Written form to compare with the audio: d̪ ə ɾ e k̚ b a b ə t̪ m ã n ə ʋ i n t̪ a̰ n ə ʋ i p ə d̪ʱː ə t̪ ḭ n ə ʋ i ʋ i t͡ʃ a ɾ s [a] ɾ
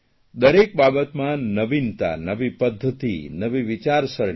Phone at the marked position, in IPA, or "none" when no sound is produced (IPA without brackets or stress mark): ə